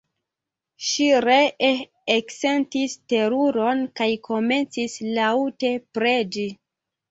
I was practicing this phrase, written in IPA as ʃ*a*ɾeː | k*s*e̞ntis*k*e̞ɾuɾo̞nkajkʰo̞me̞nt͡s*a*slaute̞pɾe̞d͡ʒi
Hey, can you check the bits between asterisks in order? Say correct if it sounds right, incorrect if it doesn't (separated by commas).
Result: incorrect, correct, incorrect, incorrect